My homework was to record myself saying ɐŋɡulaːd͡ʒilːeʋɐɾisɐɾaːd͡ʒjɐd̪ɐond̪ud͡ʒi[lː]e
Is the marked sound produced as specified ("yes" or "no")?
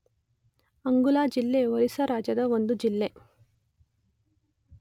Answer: yes